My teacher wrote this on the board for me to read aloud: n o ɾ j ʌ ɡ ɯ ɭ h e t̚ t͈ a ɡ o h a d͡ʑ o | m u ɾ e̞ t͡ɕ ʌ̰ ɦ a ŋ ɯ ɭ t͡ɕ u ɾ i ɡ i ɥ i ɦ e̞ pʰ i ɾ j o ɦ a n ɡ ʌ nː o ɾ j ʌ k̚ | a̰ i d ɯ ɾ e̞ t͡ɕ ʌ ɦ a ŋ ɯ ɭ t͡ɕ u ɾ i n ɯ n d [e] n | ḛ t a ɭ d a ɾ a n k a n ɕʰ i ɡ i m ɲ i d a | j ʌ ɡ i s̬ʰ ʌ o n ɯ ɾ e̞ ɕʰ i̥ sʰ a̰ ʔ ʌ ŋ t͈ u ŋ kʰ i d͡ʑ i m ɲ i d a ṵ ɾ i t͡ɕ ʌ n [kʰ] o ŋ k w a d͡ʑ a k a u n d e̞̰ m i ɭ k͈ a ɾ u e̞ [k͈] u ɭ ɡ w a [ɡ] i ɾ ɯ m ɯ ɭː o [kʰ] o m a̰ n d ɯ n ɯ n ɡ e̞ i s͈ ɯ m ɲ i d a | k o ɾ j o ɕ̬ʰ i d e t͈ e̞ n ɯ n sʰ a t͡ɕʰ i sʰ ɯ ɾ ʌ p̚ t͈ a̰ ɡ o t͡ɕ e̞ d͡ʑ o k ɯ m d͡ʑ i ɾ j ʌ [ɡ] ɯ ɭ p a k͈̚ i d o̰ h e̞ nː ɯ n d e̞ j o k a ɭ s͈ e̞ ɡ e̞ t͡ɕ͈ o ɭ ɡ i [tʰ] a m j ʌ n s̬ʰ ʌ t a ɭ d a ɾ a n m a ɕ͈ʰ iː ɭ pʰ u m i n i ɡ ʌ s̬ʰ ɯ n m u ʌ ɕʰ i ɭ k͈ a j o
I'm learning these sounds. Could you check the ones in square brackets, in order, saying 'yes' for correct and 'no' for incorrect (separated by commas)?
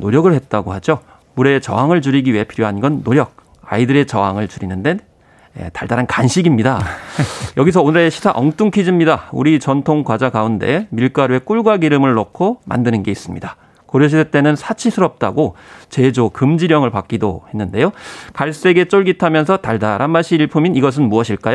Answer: yes, no, yes, yes, yes, no, yes